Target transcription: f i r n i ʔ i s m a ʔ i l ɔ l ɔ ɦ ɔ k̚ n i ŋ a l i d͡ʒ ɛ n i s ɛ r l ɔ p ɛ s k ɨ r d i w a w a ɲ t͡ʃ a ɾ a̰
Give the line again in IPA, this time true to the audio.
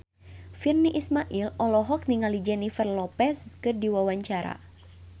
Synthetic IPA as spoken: f i r n i ʔ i s m a ʔ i l ɔ l ɔ ɦ ɔ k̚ n i ŋ a l i d͡ʒ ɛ n i f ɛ r l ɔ p ɛ s k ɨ r d i w a w a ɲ t͡ʃ a ɾ a̰